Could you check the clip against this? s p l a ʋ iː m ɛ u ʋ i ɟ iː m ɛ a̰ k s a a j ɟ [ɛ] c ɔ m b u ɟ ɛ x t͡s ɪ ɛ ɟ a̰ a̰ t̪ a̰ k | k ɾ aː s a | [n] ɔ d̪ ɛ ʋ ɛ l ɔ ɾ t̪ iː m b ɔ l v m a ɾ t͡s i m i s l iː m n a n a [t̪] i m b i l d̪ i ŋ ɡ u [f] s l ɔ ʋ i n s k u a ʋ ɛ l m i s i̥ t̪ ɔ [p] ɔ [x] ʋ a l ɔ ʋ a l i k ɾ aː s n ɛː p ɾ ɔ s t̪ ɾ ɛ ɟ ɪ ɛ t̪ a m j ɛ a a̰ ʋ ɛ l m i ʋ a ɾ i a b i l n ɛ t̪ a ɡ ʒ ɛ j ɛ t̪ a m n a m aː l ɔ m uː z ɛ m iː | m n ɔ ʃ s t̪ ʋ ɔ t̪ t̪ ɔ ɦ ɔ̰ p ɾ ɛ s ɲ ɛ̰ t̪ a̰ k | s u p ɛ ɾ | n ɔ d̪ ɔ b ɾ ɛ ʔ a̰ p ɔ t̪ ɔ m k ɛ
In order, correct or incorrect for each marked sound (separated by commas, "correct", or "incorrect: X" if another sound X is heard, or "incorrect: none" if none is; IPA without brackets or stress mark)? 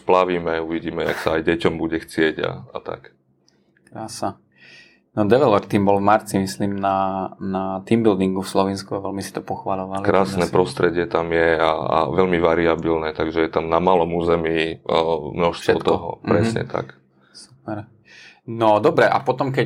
correct, correct, correct, correct, correct, correct